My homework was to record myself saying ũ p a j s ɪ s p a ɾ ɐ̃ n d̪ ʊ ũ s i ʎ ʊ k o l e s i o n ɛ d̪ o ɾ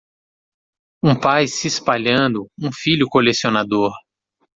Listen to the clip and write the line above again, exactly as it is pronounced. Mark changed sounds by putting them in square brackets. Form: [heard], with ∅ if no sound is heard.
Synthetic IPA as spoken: ũ p a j s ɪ s p a [ʎ] ɐ̃ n d̪ ʊ ũ [f] i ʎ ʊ k o l e s i o n [a] d̪ o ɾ